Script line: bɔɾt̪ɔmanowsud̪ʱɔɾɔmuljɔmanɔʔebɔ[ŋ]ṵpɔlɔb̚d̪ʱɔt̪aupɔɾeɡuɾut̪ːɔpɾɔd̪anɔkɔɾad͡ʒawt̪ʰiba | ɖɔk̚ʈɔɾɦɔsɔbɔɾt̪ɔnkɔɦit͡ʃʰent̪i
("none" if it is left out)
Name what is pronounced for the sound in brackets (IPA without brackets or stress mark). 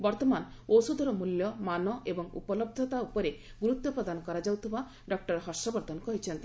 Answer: ŋ